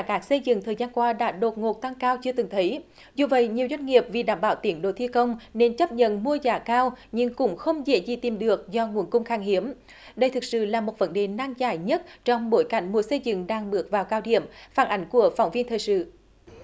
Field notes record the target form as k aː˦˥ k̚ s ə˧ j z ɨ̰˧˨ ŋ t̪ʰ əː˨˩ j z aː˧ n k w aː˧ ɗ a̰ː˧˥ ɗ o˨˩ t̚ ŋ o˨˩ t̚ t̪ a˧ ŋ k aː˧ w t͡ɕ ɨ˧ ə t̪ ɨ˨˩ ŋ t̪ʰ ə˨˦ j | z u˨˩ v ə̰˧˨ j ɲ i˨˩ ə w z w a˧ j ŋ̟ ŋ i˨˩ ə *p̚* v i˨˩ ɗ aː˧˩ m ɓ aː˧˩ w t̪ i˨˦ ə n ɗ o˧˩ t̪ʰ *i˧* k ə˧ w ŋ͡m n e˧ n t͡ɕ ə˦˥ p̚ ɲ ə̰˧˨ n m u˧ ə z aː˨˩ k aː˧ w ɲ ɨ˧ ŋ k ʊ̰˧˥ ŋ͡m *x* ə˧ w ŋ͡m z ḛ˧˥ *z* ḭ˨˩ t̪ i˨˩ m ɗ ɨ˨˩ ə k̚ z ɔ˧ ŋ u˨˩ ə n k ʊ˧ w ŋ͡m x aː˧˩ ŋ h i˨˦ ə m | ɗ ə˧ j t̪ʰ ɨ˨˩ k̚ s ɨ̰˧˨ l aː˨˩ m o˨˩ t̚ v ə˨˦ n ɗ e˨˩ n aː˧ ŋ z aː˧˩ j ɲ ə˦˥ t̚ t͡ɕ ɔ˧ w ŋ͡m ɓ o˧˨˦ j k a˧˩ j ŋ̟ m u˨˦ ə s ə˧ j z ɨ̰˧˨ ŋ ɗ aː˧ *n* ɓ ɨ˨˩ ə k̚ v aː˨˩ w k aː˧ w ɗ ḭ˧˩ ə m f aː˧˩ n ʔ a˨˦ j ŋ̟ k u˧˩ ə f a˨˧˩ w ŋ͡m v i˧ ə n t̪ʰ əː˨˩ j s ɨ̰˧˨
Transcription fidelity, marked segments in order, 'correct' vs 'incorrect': correct, correct, correct, correct, incorrect: ŋ

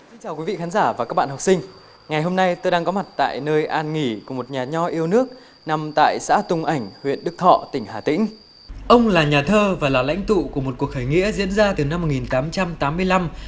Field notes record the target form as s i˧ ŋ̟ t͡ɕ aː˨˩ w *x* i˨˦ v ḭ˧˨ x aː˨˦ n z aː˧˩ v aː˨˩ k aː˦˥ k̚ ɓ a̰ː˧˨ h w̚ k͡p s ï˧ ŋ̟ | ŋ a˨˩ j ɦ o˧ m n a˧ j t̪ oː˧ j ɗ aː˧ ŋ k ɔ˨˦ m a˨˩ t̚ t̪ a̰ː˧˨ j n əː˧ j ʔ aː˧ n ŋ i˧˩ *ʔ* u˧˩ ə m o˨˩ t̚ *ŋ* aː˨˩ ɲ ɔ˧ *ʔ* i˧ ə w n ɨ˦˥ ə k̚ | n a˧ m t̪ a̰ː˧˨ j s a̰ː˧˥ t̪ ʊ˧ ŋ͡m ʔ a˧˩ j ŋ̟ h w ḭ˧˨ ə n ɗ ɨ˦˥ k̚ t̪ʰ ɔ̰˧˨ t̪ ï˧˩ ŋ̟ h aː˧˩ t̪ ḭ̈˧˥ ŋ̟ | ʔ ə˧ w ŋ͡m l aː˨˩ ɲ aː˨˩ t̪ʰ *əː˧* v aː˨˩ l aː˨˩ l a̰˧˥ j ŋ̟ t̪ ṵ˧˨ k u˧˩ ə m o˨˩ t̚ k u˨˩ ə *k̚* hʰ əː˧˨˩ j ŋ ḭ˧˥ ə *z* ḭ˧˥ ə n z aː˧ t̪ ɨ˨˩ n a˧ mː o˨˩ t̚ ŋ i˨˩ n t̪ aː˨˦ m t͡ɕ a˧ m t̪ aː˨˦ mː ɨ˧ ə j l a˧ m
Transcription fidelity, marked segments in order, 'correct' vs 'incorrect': incorrect: k, incorrect: k, incorrect: ɲ, correct, correct, correct, correct

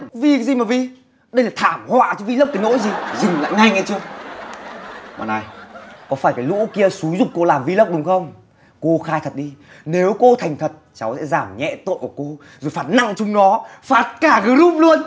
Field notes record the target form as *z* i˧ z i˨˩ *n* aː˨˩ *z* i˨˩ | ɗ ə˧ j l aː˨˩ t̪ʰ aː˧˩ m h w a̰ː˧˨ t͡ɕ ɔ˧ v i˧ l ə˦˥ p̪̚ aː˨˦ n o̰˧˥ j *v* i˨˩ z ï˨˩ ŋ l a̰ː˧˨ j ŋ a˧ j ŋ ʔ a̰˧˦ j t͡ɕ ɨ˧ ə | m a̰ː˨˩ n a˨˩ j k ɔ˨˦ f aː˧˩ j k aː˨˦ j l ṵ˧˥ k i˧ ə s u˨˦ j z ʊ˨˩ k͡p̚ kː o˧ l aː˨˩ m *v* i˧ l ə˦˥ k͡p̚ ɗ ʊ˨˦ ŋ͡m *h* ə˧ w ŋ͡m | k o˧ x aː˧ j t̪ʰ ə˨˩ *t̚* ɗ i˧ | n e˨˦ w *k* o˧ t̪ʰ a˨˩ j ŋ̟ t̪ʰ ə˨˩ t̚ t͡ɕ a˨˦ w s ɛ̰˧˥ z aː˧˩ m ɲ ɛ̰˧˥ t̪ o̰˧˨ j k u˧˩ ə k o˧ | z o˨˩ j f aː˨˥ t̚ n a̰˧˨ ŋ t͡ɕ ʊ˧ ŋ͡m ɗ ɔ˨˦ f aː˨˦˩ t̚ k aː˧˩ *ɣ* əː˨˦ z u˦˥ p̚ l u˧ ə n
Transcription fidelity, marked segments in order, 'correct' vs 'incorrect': incorrect: v, incorrect: m, incorrect: v, incorrect: z, correct, incorrect: x, correct, correct, correct

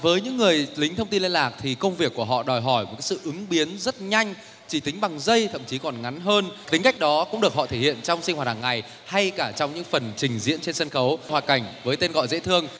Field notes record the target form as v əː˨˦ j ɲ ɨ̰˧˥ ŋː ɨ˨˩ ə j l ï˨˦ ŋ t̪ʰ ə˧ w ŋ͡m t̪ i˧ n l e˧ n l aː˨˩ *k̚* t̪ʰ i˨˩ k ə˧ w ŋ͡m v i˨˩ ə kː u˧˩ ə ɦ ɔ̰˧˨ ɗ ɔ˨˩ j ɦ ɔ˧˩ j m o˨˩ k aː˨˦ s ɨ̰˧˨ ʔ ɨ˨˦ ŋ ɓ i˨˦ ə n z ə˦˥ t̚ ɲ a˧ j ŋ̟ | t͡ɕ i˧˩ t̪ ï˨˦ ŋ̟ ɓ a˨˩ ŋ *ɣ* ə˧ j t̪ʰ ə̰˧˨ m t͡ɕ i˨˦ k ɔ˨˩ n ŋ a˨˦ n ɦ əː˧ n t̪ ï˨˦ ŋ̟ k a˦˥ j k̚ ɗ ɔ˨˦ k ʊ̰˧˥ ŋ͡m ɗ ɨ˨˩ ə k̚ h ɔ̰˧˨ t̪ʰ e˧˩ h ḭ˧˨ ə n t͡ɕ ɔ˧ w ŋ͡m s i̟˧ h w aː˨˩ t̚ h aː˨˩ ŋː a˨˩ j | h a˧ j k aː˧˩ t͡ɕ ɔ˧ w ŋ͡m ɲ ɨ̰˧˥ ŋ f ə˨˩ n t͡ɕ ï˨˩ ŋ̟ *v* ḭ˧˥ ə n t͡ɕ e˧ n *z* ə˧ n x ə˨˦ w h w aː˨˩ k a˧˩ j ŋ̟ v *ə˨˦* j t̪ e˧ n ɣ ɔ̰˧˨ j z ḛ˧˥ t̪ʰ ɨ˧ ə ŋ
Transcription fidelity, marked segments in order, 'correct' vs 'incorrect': correct, incorrect: z, incorrect: z, incorrect: s, incorrect: əː˨˦

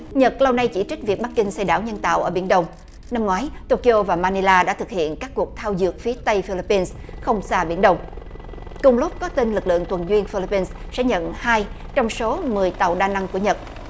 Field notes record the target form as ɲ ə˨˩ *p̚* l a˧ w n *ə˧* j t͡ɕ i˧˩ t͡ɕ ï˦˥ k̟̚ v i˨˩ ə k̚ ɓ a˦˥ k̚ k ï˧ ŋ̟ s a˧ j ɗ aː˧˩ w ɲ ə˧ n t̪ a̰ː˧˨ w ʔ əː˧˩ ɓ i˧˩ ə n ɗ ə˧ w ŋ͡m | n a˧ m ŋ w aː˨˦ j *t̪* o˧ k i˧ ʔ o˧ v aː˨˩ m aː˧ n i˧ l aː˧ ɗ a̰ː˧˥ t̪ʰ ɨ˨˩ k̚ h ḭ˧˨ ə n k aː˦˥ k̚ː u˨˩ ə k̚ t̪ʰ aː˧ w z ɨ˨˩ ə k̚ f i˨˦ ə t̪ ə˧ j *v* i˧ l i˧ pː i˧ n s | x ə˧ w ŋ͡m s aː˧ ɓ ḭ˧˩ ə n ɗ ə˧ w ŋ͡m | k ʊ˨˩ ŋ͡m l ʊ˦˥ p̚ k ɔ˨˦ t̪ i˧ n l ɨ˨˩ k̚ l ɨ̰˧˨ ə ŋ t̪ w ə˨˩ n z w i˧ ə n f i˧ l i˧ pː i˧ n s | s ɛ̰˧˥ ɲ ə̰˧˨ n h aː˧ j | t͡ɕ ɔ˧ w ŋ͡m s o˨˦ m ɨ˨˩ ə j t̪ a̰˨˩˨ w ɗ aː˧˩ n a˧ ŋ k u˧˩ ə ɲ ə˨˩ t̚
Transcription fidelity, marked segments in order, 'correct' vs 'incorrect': incorrect: t̚, incorrect: a˧, correct, incorrect: f

